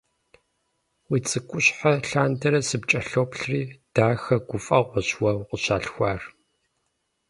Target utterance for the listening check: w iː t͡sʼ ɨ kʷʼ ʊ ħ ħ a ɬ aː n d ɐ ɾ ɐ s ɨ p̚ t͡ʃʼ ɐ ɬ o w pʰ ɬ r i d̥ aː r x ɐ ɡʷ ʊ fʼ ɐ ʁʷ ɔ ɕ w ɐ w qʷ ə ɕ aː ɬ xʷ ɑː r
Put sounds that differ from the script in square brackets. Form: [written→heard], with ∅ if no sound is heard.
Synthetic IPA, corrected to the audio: w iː t͡sʼ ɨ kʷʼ ʊ [ħ→ɕ] ħ a ɬ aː n d ɐ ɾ ɐ s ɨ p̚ t͡ʃʼ ɐ ɬ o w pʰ ɬ r [i→iː] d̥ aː [r→∅] x ɐ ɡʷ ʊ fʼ ɐ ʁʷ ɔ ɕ w ɐ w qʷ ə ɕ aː ɬ xʷ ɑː r